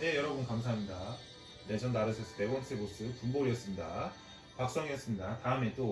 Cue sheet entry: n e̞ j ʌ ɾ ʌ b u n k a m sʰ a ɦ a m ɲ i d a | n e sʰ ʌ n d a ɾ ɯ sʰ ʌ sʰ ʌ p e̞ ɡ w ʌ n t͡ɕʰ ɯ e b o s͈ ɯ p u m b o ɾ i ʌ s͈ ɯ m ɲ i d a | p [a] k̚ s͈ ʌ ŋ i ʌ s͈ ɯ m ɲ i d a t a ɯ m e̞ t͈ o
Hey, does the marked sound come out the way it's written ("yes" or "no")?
yes